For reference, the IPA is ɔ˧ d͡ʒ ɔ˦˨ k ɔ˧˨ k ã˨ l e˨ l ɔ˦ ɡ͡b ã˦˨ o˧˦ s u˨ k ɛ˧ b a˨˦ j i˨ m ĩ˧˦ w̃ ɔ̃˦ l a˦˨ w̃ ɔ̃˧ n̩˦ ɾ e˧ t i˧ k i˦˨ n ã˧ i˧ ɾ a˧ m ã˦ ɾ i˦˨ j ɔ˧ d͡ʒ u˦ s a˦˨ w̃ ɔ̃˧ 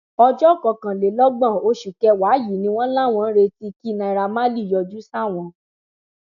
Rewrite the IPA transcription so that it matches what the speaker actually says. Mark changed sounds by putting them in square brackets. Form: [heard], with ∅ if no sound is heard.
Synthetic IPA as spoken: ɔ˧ d͡ʒ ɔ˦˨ k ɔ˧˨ k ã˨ l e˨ l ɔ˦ ɡ͡b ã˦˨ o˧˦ [ʃ] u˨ k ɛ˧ [w] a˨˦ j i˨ [n] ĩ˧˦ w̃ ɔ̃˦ l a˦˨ w̃ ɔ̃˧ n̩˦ ɾ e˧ t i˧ k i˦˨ n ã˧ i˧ ɾ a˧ m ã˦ [l] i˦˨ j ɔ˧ d͡ʒ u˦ s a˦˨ w̃ ɔ̃˧